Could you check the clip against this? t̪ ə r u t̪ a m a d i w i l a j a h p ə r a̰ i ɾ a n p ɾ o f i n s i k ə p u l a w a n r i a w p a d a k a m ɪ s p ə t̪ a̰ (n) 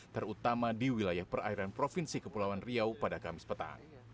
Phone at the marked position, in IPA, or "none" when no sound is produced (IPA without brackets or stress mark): ŋ